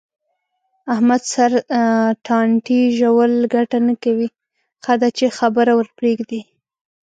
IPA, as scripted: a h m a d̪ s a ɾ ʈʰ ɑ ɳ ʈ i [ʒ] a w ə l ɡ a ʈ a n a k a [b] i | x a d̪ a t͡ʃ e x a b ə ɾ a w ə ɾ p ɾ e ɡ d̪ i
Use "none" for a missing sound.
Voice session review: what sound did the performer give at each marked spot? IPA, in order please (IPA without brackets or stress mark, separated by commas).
ʒ, w